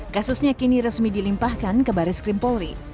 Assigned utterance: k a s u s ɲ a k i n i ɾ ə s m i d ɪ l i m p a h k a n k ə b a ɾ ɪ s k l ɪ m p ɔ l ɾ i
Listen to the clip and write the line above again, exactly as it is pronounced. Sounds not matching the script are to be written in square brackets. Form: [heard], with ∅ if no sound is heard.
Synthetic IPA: k a s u s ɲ a k i n i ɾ ə s m i d [i] l i m p a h k a n k ə b a ɾ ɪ s k [ɾ] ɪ m p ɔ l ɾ i

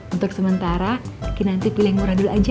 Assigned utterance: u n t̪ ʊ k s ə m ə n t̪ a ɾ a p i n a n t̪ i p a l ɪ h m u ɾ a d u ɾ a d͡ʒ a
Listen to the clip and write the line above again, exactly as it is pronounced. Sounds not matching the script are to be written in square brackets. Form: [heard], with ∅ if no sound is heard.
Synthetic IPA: u n t̪ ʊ k s ə m ə n t̪ a ɾ a [k] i n a n t̪ i p [i] l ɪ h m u ɾ a d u [l] a d͡ʒ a

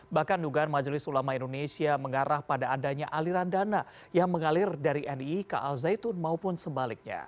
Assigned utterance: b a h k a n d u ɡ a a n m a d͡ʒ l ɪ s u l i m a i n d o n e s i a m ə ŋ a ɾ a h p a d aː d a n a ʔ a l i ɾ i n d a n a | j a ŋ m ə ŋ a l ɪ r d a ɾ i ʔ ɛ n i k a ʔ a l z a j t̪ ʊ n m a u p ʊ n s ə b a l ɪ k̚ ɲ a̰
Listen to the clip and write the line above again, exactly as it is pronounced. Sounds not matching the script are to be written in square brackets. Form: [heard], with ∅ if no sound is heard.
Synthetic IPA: b a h k a n d u ɡ a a n m a d͡ʒ l ɪ s u l [a] m a i n d o n e s i a m ə ŋ a ɾ a h p a d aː d a [ɲ] a ʔ a l i ɾ [a] n d a n a | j a ŋ m ə ŋ a l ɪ r d a ɾ i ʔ ɛ n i k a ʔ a l z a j t̪ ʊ n m a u p ʊ n s ə b a l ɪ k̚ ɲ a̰

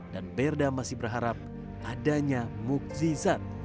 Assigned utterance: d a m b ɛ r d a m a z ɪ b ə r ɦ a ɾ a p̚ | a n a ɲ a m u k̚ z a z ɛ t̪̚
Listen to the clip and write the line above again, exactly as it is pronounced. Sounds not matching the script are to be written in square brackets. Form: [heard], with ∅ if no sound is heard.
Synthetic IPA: d a [n] b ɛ r d a m a [s] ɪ b ə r ɦ a ɾ a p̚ | a [d] a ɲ a m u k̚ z [i] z [a] t̪̚

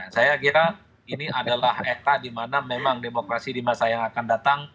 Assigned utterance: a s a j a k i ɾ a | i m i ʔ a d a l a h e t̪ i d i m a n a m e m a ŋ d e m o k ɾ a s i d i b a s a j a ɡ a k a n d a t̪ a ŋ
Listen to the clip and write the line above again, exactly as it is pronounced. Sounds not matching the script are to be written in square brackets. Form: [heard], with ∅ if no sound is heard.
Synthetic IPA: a s a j a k i ɾ a | i [n] i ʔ a d a l a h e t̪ [a] d i m a n a m e m a ŋ d e m o k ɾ a s i d i [m] a s a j a [ŋ] a k a n d a t̪ a ŋ

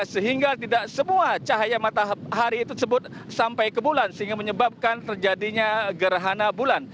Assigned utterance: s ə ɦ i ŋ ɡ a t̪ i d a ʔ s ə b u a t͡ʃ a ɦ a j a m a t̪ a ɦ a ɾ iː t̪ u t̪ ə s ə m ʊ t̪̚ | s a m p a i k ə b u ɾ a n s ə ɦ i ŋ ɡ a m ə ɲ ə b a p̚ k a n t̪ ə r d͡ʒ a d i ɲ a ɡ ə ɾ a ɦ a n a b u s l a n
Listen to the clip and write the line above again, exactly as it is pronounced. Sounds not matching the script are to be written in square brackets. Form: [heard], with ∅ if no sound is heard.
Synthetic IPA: s ə ɦ i ŋ ɡ a t̪ i d a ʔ s ə [m] u a t͡ʃ a ɦ a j a m a t̪ a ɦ a ɾ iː t̪ u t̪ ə s ə [b] ʊ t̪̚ | s a m p a [j] k ə b u [l] a n s ə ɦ i ŋ ɡ a m ə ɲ ə b a p̚ k a n t̪ ə r d͡ʒ a d i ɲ a ɡ ə ɾ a ɦ a n a b u [∅] l a n

